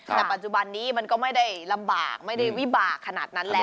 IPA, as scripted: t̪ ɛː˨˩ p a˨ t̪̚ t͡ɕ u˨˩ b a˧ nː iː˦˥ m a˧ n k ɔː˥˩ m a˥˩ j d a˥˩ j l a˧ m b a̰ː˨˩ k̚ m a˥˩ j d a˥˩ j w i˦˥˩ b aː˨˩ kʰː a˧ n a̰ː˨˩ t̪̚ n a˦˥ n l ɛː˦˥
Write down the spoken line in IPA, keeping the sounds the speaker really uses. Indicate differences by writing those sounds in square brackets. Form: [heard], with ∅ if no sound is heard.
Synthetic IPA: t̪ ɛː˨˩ p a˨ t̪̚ t͡ɕ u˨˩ b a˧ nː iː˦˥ m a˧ n k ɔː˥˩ m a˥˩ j d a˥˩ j l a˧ m b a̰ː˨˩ k̚ m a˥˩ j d a˥˩ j w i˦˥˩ b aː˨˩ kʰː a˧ n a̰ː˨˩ t̪̚ n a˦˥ n l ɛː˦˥